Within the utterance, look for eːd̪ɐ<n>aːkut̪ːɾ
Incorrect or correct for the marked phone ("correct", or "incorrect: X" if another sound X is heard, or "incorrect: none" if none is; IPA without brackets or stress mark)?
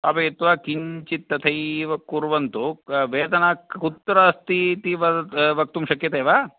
correct